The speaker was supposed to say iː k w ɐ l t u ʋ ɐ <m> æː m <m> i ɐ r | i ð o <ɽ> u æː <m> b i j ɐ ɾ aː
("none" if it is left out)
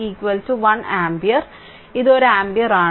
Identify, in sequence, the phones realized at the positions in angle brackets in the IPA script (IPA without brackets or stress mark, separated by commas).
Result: n, b, ɾ, m